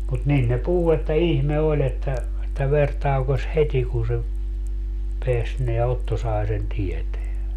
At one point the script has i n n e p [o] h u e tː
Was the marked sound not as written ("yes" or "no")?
yes